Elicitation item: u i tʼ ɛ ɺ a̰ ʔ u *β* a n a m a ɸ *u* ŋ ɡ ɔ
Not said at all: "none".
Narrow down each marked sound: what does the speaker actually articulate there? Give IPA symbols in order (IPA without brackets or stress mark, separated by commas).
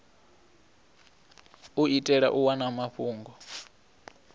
w, uː